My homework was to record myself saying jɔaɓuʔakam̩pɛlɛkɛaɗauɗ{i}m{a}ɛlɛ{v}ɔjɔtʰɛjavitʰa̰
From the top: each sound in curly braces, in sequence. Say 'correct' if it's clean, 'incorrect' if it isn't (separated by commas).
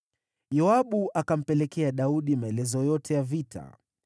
correct, correct, incorrect